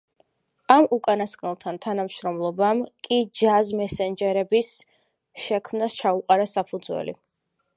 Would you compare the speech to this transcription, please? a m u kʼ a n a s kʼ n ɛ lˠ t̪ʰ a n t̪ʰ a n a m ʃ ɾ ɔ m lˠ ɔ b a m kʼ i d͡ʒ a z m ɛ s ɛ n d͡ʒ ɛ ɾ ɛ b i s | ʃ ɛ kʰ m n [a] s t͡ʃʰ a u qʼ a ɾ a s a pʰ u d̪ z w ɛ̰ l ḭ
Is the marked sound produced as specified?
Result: yes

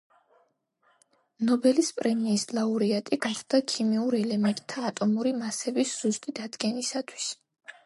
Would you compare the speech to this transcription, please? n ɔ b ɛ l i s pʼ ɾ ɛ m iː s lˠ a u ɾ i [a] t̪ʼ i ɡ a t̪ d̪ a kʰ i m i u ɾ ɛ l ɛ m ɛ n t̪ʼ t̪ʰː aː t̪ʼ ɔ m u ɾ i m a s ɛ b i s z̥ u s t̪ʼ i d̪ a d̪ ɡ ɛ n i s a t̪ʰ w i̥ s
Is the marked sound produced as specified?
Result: yes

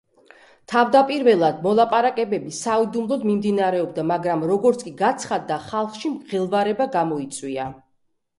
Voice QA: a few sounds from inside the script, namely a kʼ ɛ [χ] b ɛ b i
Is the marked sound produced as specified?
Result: no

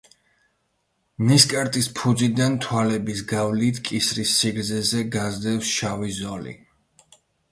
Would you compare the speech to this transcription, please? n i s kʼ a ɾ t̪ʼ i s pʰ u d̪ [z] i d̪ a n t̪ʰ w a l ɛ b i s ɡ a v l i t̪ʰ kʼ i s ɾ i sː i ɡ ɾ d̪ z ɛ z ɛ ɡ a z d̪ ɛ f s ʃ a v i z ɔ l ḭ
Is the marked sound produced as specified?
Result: yes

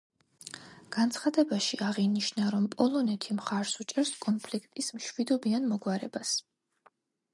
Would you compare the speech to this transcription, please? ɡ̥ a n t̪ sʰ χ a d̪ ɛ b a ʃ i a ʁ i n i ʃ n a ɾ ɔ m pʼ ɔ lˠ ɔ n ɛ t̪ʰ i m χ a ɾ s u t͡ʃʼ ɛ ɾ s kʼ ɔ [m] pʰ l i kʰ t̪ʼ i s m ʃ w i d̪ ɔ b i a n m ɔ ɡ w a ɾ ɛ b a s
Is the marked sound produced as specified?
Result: no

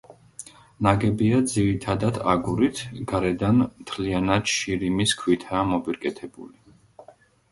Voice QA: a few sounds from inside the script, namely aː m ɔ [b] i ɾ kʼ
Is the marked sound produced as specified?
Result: yes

